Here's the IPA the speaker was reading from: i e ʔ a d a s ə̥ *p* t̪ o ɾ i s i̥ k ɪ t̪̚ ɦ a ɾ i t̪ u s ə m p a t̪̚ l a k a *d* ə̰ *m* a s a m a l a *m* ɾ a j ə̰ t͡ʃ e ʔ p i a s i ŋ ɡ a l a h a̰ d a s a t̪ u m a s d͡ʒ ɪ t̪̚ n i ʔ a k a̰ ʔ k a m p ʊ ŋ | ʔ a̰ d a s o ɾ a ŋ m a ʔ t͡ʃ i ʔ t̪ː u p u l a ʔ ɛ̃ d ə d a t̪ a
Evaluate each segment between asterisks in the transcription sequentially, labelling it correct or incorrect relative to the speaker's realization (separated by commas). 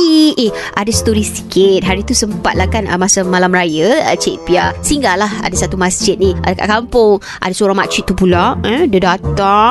incorrect, incorrect, correct, correct